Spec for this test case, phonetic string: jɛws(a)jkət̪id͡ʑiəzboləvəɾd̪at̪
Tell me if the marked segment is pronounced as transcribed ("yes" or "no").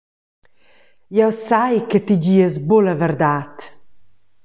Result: yes